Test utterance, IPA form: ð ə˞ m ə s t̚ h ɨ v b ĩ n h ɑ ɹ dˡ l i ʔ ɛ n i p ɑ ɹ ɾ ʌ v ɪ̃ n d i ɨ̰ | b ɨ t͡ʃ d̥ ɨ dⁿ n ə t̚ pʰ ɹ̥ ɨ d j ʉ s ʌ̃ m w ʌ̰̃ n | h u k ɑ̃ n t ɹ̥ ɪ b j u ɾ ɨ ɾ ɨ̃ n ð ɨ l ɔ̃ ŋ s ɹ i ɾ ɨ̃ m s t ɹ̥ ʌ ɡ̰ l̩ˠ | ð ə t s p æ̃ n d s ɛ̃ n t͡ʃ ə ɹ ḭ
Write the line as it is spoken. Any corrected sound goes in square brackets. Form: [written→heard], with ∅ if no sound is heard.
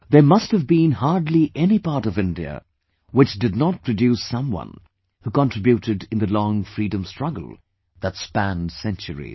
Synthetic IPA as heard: ð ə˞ m [ə→ʌ] s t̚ h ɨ v b ĩ n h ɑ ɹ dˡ l i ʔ ɛ n i p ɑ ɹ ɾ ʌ v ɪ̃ n d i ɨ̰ | [b→w] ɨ t͡ʃ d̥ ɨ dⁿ n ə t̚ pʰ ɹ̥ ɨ d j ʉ s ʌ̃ m w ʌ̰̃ n | h u k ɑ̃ n t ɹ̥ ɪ b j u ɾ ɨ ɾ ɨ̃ n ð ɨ l ɔ̃ ŋ [s→f] ɹ i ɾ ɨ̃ m s t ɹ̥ ʌ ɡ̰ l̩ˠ | ð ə t s p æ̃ n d s ɛ̃ n t͡ʃ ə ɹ ḭ